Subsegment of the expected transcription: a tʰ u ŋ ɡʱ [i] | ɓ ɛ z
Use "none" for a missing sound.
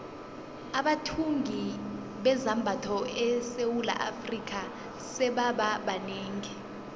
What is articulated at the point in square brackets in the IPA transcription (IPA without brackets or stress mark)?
i